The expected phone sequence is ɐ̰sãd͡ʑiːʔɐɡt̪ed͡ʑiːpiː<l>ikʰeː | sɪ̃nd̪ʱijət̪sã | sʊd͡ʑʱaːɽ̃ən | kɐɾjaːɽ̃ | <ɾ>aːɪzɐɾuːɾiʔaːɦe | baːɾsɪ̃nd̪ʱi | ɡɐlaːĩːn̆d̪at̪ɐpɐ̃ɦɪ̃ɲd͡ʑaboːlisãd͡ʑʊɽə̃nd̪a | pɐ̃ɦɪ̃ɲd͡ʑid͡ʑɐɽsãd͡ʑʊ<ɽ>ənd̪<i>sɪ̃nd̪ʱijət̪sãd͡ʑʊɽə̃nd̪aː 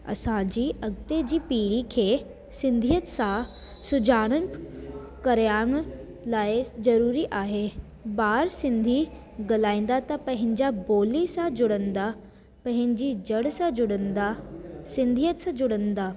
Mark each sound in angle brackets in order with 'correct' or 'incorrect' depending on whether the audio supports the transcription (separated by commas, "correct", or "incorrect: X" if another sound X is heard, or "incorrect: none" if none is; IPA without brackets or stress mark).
incorrect: ɽ, incorrect: l, correct, incorrect: a